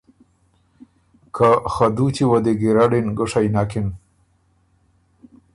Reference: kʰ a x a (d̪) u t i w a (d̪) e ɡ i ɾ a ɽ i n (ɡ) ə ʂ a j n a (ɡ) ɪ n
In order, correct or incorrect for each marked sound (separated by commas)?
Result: correct, correct, correct, incorrect